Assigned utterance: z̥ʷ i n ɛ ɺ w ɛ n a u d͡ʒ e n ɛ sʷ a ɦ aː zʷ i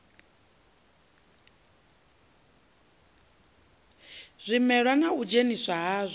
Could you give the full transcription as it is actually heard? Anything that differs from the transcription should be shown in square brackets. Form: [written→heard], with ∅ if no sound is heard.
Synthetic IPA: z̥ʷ i [n→m] ɛ ɺ w [ɛ→a] n a u d͡ʒ e n [ɛ→i] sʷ a ɦ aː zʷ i